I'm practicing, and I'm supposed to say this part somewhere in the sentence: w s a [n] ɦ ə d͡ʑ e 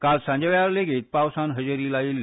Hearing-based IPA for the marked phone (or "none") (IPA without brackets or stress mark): n